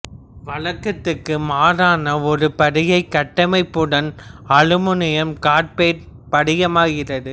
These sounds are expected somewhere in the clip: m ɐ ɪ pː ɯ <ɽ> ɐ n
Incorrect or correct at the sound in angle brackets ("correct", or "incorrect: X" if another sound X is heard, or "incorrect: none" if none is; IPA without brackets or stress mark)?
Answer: correct